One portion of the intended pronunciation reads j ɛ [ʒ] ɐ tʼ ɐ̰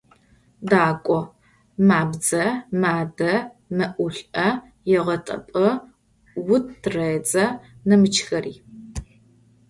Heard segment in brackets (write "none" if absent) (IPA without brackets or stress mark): ʁ